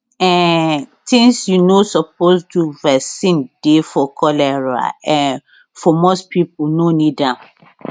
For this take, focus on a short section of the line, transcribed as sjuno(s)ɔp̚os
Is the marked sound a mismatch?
no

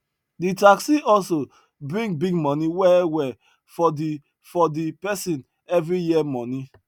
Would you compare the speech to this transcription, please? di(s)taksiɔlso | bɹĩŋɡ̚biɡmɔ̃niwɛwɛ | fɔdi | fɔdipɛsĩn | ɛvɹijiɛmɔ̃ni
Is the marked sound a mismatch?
yes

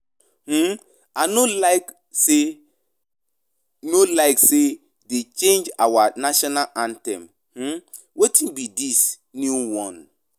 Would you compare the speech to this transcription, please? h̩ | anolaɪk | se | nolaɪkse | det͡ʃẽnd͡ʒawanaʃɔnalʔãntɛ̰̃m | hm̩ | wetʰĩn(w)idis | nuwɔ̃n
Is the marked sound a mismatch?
yes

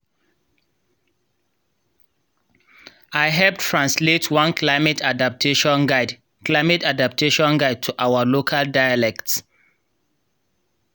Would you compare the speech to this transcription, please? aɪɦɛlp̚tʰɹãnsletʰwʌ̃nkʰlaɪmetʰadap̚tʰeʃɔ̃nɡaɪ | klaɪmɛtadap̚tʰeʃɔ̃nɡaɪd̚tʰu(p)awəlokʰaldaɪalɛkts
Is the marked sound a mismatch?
yes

